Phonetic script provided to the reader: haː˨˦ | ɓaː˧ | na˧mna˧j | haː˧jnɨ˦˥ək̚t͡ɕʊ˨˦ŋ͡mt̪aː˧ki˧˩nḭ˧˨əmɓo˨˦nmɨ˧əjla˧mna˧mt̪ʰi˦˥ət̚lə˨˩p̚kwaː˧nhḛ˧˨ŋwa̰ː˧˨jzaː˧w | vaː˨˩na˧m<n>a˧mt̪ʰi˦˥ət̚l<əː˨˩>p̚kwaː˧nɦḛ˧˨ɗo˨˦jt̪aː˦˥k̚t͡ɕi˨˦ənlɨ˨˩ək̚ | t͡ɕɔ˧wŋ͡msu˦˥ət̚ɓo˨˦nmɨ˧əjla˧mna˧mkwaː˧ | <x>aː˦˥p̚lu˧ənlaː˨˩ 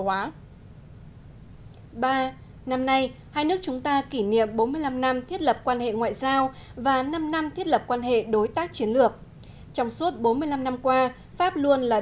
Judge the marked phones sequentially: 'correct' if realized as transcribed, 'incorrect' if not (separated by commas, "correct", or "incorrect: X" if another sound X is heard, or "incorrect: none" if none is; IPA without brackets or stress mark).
correct, incorrect: ə˨˩, incorrect: f